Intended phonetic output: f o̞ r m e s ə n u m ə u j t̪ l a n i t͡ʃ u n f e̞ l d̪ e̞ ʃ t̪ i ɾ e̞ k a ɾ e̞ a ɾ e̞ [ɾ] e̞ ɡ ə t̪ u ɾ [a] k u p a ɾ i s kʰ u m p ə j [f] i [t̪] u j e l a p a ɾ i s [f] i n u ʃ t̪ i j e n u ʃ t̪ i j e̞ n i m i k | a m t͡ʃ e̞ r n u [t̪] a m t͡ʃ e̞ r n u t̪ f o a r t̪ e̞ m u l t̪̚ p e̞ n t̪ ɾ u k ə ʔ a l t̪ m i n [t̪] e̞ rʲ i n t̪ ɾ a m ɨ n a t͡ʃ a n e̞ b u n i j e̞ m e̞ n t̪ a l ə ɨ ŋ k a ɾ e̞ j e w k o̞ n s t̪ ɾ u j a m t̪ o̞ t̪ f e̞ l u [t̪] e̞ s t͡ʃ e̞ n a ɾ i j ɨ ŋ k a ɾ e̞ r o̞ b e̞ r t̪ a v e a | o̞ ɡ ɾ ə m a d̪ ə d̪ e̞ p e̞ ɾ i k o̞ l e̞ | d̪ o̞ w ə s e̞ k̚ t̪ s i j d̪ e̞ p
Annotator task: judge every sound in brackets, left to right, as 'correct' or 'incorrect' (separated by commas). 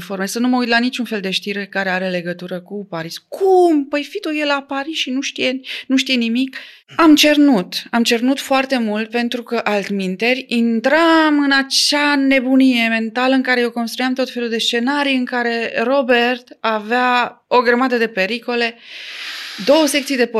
incorrect, incorrect, correct, correct, incorrect, correct, correct, incorrect